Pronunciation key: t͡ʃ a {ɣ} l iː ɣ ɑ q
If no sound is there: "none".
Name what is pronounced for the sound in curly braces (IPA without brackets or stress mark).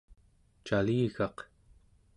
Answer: none